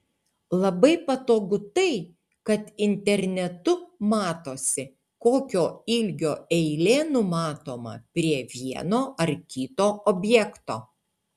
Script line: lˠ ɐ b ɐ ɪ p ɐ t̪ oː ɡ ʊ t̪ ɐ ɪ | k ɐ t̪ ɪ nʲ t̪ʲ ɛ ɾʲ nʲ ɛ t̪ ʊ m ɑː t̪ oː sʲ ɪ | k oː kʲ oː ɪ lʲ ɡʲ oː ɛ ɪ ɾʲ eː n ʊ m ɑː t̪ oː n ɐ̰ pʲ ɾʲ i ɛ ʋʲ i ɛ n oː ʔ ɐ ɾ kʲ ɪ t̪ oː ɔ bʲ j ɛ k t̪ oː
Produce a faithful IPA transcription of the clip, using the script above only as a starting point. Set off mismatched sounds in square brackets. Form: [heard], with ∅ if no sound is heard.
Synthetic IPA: lˠ ɐ b ɐ ɪ p ɐ t̪ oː ɡ ʊ t̪ ɐ ɪ | k ɐ t̪ ɪ nʲ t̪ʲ ɛ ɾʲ nʲ ɛ t̪ ʊ m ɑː t̪ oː sʲ ɪ | k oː kʲ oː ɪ lʲ ɡʲ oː ɛ ɪ [lʲ] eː n ʊ m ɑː t̪ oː [m] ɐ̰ pʲ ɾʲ i ɛ ʋʲ i ɛ n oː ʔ ɐ ɾ kʲ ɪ t̪ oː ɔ bʲ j ɛ k t̪ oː

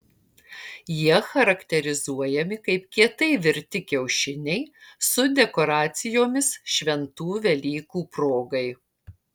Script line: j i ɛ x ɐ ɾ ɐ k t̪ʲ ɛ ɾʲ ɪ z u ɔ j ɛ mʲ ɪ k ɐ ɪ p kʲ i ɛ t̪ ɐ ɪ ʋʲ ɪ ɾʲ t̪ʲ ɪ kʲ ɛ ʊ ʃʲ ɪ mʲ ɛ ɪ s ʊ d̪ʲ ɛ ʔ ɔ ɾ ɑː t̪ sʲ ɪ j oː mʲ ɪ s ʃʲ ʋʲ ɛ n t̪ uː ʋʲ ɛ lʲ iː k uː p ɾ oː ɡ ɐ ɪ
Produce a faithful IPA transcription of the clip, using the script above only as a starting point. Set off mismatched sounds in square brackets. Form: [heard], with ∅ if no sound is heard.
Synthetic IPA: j i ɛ x ɐ ɾ ɐ k t̪ʲ ɛ ɾʲ ɪ z u ɔ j ɛ mʲ ɪ k ɐ ɪ p kʲ i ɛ t̪ ɐ ɪ ʋʲ ɪ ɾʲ t̪ʲ ɪ kʲ ɛ ʊ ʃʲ ɪ [nʲ] ɛ ɪ s ʊ d̪ʲ ɛ [k] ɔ ɾ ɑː t̪ sʲ ɪ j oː mʲ ɪ s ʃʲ ʋʲ ɛ n t̪ uː ʋʲ ɛ lʲ iː k uː p ɾ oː ɡ ɐ ɪ

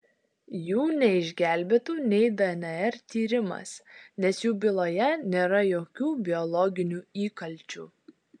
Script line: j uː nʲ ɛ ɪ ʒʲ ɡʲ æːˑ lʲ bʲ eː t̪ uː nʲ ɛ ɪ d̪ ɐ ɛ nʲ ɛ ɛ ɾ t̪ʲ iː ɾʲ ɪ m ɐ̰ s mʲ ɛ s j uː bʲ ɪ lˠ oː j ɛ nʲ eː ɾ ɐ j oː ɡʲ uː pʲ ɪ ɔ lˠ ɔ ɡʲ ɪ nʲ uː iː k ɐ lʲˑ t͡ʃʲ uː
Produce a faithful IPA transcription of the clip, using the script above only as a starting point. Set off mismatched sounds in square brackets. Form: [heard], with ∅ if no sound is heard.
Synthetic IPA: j uː nʲ ɛ ɪ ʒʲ ɡʲ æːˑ lʲ bʲ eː t̪ uː nʲ ɛ ɪ d̪ ɐ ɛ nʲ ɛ ɛ ɾ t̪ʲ iː ɾʲ ɪ m ɐ̰ s [nʲ] ɛ s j uː bʲ ɪ lˠ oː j ɛ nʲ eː ɾ ɐ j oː [kʲ] uː [bʲ] ɪ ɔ lˠ ɔ ɡʲ ɪ nʲ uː iː k ɐ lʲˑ t͡ʃʲ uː

